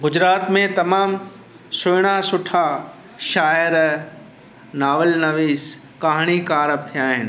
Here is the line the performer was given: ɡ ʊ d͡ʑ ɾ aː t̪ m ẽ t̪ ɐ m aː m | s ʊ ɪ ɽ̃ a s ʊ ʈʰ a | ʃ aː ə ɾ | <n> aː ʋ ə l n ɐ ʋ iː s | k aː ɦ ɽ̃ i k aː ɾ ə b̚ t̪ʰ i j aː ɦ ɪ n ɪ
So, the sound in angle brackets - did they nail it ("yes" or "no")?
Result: yes